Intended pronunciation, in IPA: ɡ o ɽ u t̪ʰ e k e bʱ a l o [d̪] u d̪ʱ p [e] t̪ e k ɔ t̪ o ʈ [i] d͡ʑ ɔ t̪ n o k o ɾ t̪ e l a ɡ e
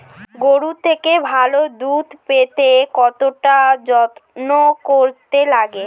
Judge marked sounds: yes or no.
yes, yes, no

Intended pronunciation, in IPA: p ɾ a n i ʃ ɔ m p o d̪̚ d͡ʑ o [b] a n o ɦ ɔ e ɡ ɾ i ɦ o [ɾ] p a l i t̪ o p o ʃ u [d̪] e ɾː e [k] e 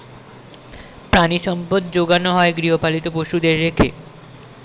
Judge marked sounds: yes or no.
no, no, yes, no

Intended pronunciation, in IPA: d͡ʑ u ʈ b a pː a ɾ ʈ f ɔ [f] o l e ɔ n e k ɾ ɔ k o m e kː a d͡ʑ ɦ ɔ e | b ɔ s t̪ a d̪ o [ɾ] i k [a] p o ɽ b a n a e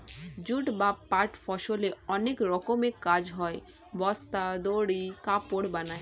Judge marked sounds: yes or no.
no, no, yes

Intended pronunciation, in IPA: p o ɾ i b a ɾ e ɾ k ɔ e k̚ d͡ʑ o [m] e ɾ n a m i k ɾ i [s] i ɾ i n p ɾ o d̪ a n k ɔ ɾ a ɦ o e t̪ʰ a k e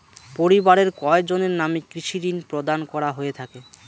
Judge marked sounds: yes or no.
no, no

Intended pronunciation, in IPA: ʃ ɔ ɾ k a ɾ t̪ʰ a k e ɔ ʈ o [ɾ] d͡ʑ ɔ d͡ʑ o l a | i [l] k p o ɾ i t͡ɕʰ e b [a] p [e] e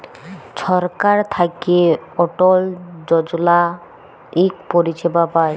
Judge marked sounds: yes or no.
no, no, yes, no

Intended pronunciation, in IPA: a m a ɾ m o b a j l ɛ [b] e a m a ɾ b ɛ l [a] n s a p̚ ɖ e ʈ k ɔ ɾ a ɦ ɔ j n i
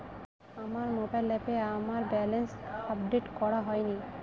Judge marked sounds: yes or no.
no, no

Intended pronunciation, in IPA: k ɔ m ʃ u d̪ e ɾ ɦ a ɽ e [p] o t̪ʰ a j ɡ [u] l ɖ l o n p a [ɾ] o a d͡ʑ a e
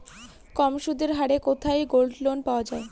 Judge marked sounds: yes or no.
no, no, no

